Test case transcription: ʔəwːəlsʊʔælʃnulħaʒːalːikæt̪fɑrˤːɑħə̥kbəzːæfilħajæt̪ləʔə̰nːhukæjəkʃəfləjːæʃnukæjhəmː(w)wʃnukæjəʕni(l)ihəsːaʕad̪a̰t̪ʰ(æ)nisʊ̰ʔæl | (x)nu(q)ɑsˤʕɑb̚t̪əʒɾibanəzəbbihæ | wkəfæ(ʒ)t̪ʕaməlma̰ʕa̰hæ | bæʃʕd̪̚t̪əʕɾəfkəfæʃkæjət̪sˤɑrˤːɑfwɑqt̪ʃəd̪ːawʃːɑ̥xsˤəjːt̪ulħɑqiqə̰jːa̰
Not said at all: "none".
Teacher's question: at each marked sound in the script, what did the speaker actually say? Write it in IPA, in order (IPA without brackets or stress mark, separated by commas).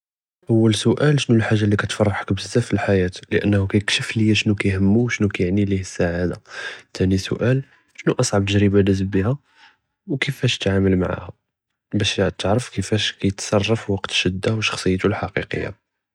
u, l, æ, ʃ, ʔ, ʃ